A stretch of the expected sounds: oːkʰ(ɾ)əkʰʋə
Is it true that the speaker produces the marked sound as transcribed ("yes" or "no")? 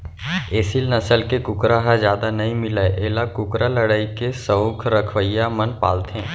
yes